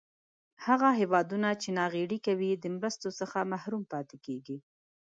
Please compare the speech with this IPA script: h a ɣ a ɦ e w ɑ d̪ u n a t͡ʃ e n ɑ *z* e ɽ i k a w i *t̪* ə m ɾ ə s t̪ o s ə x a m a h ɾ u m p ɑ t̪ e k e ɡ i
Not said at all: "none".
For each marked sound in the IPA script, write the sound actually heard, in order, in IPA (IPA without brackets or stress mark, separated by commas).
ɣ, d̪